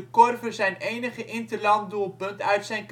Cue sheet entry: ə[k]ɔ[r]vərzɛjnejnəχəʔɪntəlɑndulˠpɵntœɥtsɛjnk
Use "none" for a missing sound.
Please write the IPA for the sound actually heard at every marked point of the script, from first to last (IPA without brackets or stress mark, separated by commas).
k, r